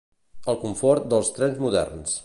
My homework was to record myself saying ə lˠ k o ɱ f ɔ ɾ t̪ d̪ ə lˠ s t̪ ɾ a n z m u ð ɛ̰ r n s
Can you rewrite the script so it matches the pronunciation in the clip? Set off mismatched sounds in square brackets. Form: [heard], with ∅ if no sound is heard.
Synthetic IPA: ə lˠ k [u] ɱ f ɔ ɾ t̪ d̪ ə lˠ s t̪ ɾ [ɛ] n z m u ð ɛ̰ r n s